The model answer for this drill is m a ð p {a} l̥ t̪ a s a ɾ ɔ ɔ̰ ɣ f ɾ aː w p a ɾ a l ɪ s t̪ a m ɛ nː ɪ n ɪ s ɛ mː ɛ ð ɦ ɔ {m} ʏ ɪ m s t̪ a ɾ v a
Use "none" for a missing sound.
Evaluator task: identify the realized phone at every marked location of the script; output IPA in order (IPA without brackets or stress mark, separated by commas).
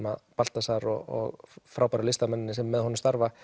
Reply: a, n